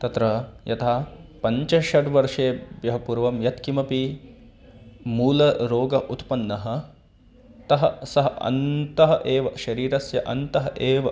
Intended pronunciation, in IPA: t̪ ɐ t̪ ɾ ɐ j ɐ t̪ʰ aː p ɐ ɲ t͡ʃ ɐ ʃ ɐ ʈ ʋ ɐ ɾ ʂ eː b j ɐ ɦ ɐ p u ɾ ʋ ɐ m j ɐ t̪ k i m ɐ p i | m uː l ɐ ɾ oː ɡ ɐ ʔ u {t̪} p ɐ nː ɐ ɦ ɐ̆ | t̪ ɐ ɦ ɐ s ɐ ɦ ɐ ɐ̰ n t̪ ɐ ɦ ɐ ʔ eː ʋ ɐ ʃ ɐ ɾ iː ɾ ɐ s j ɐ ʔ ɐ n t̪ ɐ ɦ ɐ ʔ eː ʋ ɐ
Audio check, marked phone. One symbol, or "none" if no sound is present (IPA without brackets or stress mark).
t̪